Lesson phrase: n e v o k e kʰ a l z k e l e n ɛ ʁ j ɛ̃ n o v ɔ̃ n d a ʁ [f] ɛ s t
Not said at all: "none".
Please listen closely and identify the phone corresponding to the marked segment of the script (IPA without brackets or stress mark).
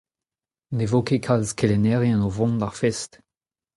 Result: f